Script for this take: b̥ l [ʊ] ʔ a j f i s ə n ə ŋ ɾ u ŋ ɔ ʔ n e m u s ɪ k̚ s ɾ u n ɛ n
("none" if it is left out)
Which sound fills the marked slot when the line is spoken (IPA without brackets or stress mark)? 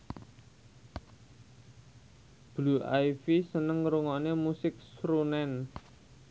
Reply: u